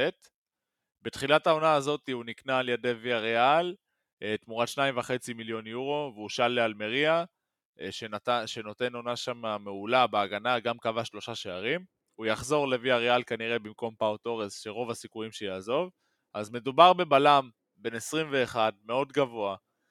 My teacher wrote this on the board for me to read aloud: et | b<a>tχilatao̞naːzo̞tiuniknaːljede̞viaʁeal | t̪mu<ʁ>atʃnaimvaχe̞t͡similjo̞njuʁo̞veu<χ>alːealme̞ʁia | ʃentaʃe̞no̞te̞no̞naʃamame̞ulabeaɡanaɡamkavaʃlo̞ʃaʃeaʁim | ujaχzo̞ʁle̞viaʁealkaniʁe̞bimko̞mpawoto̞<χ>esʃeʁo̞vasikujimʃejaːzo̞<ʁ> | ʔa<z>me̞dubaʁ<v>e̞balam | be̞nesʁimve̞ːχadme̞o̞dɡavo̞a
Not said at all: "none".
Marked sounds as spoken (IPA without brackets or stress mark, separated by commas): e, ʁ, ʃ, ʁ, v, z, b